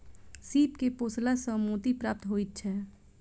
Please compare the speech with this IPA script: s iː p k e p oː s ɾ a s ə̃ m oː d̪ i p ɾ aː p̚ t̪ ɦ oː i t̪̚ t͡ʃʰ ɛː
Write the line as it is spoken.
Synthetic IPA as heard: s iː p k e p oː s l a s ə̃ m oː t̪ i p ɾ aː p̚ t̪ ɦ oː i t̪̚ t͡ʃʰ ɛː